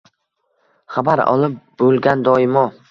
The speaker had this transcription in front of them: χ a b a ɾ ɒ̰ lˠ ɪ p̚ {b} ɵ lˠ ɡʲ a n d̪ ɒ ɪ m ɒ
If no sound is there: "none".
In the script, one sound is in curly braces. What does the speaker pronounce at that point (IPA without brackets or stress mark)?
b